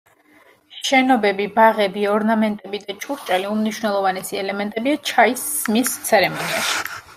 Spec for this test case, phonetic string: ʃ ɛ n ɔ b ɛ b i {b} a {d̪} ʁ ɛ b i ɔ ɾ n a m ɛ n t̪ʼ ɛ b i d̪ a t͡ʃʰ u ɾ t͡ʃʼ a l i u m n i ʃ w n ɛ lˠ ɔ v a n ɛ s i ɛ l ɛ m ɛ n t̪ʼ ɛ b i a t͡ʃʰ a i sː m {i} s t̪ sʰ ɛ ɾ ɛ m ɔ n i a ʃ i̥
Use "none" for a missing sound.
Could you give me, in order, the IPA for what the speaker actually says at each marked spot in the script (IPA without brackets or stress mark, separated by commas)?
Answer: b, none, i